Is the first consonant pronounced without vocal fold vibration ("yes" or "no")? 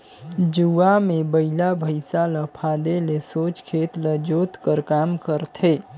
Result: no